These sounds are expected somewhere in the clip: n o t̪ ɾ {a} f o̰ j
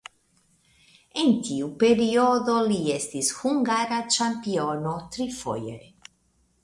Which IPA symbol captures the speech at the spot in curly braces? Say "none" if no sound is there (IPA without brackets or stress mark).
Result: i